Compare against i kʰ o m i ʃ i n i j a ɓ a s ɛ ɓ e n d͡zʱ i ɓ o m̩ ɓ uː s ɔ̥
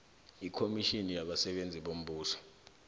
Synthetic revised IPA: i kʰ o m i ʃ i n i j a ɓ a s ɛ ɓ e n d͡zʱ i ɓ o m̩ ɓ uː s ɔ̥